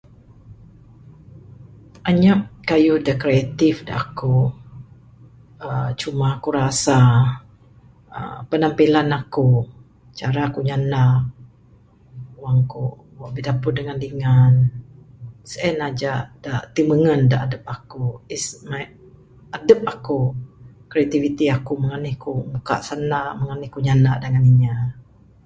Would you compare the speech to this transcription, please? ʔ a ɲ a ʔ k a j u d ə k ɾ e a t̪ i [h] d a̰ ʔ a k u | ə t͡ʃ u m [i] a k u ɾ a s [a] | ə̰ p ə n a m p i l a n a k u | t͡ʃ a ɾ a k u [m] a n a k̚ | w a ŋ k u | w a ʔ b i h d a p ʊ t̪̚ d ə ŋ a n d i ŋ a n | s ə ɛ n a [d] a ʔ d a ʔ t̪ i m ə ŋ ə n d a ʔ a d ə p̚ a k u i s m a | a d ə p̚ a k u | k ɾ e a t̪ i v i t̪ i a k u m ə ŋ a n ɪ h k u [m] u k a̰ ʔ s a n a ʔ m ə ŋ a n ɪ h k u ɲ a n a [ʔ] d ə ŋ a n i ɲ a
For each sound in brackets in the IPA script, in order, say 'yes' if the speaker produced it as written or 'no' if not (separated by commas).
no, no, yes, no, no, yes, yes